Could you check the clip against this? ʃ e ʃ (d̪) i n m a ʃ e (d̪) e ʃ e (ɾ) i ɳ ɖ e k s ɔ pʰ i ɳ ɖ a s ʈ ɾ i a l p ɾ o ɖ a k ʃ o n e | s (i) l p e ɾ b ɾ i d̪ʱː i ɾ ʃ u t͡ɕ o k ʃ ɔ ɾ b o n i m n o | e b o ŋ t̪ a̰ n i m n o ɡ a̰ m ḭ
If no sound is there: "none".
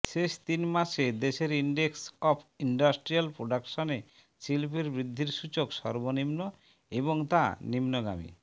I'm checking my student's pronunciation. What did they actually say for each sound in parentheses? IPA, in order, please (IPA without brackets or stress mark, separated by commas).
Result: t̪, d̪, ɾ, i